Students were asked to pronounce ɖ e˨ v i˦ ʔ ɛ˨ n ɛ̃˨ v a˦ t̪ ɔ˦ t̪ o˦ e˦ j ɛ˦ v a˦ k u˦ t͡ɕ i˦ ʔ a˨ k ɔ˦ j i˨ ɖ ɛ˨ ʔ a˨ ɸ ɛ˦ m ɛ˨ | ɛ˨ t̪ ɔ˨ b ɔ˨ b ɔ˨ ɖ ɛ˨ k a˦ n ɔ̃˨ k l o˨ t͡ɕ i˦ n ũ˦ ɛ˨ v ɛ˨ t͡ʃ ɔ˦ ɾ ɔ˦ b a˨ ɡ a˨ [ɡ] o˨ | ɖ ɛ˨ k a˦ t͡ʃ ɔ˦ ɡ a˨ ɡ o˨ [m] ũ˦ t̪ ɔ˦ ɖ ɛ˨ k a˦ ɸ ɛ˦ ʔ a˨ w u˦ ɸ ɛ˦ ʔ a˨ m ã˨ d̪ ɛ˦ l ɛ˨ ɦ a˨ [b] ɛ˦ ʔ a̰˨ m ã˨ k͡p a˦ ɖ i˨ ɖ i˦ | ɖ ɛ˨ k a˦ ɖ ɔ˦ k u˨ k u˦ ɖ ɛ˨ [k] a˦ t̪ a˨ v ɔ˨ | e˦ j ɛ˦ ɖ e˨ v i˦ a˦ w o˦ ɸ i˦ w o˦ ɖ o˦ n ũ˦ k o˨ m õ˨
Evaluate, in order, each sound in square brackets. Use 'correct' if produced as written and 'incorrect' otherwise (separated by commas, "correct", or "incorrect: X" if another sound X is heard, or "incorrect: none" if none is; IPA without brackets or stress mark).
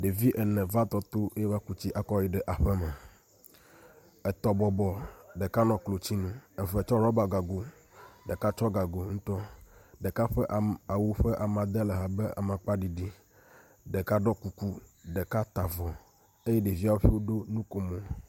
correct, incorrect: ŋ, correct, correct